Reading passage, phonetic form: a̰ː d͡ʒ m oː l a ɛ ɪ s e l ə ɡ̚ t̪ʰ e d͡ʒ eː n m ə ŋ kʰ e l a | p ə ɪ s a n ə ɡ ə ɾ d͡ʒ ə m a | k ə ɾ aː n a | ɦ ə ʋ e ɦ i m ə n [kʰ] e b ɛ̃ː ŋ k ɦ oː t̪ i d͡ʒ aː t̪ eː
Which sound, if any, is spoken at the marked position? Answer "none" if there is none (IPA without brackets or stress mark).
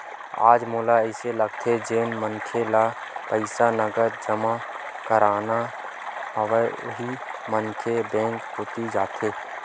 kʰ